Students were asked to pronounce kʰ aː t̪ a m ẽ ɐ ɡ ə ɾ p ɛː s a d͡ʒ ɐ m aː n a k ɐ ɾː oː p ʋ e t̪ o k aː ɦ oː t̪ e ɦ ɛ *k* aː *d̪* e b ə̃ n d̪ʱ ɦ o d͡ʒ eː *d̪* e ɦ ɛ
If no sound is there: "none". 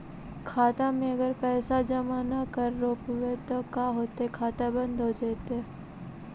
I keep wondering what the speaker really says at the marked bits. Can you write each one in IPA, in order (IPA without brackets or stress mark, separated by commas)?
kʰ, t̪, t̪